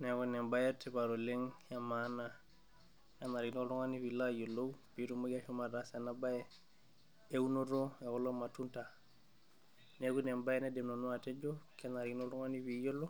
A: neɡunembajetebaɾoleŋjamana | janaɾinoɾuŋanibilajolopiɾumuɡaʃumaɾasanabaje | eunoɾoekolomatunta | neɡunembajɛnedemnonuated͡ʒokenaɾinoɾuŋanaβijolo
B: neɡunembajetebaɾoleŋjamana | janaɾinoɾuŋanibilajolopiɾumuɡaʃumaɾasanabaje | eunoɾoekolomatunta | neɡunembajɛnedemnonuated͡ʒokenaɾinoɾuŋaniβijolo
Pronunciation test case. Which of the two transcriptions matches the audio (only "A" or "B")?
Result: B